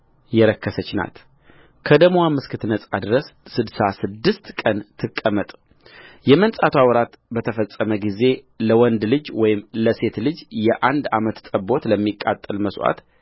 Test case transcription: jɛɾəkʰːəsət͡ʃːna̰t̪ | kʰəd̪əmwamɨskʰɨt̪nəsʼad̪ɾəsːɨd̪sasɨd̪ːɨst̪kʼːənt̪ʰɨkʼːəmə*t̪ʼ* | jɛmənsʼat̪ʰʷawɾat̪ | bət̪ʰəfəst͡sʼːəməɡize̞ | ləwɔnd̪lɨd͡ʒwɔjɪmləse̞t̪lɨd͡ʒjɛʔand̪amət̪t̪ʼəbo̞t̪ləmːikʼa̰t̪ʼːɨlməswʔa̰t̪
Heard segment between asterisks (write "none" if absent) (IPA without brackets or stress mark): t̪ʼ